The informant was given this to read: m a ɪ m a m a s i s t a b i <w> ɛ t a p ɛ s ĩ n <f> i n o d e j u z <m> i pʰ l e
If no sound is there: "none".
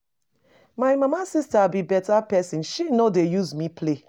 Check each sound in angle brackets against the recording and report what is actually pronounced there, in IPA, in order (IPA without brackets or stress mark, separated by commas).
b, ʃ, m